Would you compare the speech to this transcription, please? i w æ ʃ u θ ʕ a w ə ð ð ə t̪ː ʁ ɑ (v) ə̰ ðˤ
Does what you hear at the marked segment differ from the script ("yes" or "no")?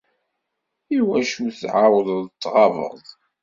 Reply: no